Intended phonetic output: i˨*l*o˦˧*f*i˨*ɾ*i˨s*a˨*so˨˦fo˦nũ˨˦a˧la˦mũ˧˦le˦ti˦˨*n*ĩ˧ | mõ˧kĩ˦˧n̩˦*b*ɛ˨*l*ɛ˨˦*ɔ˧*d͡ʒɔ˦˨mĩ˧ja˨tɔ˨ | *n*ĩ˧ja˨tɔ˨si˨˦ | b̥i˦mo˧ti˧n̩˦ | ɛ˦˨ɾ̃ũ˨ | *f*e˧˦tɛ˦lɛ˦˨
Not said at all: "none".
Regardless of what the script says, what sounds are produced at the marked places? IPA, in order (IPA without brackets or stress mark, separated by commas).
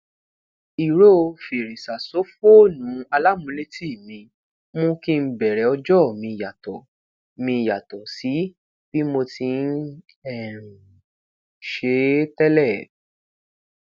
ɾ, f, ɾ, a˨, m, b, ɾ, ɔ˧, m, ʃ